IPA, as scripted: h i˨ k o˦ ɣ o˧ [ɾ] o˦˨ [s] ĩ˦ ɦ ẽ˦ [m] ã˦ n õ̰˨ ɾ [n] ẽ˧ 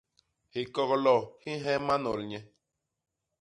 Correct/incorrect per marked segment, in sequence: incorrect: l, incorrect: h, correct, incorrect: ɲ

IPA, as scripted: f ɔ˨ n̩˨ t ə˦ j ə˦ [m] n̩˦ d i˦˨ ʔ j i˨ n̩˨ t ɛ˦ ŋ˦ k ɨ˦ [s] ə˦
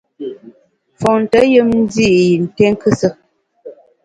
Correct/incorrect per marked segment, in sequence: correct, correct

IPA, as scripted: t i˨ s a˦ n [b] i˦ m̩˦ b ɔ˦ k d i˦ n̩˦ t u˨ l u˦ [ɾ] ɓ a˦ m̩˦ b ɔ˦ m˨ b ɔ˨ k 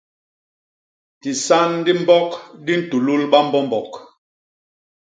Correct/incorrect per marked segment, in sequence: incorrect: d, incorrect: l

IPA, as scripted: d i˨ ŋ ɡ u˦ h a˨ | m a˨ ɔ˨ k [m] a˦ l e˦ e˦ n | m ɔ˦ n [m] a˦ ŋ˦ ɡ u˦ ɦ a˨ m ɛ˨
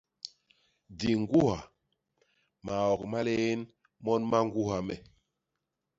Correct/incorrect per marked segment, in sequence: correct, correct

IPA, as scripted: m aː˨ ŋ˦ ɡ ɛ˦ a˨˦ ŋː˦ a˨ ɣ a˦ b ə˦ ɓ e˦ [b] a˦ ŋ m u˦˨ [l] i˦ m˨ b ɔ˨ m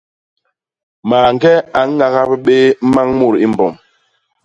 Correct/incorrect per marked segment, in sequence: incorrect: m, incorrect: ɾ

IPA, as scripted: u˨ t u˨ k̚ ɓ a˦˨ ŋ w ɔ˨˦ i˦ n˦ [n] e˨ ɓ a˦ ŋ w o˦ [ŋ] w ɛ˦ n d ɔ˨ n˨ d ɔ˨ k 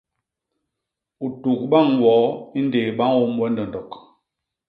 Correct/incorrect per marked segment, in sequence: incorrect: d, incorrect: m

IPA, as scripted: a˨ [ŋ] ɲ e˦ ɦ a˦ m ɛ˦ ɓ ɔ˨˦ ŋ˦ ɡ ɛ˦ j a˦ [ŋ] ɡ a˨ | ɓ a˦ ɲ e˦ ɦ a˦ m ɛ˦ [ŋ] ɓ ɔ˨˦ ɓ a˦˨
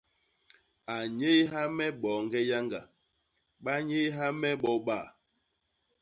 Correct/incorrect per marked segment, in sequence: incorrect: none, correct, incorrect: none

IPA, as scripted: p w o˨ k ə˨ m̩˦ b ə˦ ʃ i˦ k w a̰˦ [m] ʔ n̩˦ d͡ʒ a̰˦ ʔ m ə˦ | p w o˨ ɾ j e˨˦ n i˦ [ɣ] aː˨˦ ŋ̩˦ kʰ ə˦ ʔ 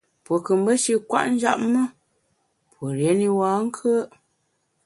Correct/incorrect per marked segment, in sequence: incorrect: none, incorrect: w

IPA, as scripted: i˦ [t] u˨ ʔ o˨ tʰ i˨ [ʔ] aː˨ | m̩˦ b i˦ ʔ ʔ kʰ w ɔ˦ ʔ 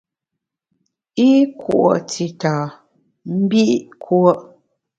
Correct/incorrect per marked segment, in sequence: incorrect: k, incorrect: t

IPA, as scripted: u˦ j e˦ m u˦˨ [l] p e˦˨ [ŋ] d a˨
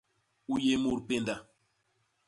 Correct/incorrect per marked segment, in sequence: incorrect: ɾ, incorrect: n

